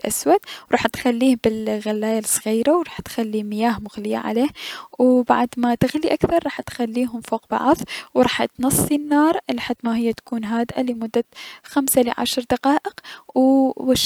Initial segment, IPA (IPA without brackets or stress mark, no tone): ʔ